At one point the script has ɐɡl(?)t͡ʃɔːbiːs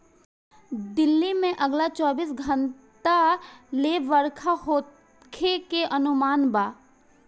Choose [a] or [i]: a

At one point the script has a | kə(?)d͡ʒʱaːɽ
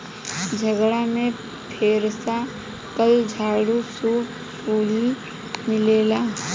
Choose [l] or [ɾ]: l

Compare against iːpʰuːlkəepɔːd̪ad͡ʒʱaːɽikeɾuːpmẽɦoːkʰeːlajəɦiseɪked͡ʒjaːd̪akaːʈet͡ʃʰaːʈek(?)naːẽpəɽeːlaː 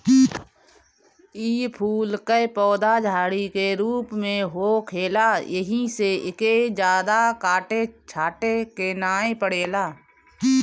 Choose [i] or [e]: e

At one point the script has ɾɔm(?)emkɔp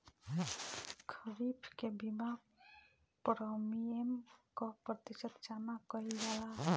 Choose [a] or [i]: i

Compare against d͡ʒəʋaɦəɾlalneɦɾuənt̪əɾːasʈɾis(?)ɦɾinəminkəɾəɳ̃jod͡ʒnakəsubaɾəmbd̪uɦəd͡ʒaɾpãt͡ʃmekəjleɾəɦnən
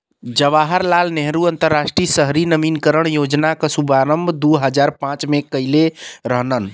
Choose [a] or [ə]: ə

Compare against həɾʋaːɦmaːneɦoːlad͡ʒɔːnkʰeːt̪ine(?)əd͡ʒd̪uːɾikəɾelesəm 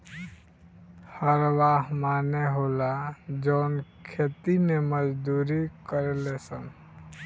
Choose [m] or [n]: m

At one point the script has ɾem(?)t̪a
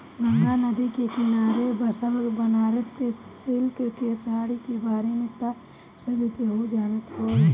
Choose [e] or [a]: e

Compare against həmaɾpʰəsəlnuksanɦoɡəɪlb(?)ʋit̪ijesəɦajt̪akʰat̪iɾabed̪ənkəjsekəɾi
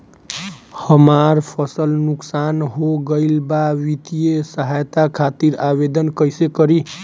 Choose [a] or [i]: a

